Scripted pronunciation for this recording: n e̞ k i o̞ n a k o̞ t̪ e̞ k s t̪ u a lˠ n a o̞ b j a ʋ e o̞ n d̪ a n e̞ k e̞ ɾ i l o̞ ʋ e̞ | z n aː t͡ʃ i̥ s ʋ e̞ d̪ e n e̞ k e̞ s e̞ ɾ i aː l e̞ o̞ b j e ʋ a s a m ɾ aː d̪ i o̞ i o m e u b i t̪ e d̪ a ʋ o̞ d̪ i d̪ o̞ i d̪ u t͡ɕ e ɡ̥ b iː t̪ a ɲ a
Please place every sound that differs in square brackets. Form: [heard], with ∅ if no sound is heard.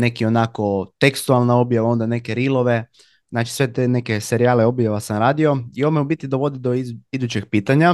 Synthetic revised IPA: n e̞ k i o̞ n a k o̞ t̪ e̞ k s t̪ u a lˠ n a o̞ b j a ʋ [a] o̞ n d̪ a n e̞ k e̞ ɾ i l o̞ ʋ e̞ | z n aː t͡ʃ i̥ s ʋ e̞ [t̪] e n e̞ k e̞ s e̞ ɾ i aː l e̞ o̞ b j [a] ʋ a s a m ɾ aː d̪ i o̞ i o m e u b i t̪ [i] d̪ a ʋ o̞ d̪ i d̪ o̞ i d̪ u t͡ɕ e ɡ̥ [p] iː t̪ a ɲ a